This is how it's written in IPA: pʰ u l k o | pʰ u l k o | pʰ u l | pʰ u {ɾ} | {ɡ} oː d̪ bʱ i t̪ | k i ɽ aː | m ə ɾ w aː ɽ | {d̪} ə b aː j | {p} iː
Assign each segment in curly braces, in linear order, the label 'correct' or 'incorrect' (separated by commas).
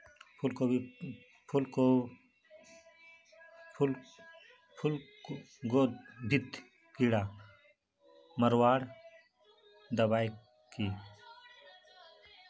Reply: incorrect, correct, correct, incorrect